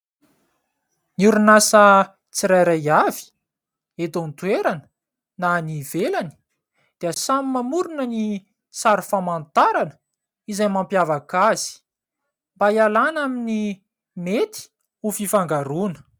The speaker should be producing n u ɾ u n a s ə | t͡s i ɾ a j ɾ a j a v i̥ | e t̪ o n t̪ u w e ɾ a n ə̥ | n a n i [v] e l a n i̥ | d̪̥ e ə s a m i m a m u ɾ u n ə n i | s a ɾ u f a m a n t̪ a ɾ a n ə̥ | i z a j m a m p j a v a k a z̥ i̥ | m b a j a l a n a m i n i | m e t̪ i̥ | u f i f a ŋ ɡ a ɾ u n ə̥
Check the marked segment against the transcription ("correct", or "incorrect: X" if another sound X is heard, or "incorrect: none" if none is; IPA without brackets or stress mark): correct